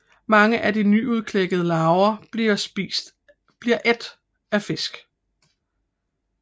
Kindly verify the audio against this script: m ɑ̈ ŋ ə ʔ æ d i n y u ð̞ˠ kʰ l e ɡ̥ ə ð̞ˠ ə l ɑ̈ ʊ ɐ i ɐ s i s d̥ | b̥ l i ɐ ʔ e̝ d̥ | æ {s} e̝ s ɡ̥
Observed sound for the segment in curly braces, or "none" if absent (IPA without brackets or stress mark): f